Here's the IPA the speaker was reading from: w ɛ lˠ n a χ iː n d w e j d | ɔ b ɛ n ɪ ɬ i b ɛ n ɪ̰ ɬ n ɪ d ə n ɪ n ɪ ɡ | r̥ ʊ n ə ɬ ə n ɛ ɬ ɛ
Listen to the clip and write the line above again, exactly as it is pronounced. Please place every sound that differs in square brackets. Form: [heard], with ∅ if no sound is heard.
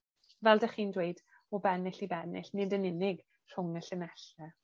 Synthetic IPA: [v] ɛ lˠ [d] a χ iː n d w e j d | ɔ b ɛ n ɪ ɬ i b ɛ n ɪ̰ ɬ n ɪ d ə n ɪ n ɪ ɡ | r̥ ʊ [ŋ] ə ɬ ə n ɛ ɬ ɛ